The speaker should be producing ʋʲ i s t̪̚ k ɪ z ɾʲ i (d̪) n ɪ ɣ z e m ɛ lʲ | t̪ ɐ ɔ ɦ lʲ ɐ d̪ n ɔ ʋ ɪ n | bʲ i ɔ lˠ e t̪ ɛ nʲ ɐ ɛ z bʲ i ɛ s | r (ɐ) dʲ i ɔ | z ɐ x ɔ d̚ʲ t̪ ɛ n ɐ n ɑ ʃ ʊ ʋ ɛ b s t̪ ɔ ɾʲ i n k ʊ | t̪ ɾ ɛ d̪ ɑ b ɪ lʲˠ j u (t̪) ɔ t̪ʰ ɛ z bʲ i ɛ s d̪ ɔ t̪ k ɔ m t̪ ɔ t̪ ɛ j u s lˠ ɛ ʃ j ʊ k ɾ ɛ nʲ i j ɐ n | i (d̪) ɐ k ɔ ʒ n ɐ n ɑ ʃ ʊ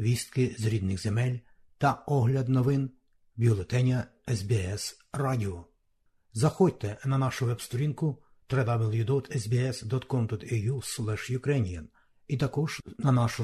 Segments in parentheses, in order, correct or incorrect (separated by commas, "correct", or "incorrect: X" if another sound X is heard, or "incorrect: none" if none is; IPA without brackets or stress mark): correct, incorrect: ɑ, incorrect: d̪, incorrect: t̪